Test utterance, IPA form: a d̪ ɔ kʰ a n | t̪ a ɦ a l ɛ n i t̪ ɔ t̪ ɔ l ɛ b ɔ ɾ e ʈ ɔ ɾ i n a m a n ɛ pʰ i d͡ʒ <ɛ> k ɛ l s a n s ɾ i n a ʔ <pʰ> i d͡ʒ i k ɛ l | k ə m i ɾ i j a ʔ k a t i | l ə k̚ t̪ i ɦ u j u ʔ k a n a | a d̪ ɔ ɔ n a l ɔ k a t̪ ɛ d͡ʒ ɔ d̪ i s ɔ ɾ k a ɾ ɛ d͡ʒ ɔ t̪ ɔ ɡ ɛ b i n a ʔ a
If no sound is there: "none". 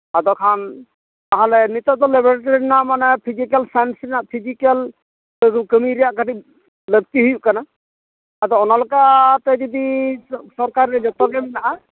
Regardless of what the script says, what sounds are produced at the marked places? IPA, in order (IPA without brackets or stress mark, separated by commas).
i, pʰ